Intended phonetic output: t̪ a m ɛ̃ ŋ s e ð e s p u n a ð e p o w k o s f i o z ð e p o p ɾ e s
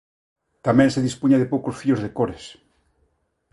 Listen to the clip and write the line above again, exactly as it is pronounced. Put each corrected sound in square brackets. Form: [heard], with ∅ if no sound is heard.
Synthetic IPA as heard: t̪ a m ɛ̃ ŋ s e ð [i] s p u [ɲ] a ð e p o w k o s f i o z ð e [k] o [∅] ɾ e s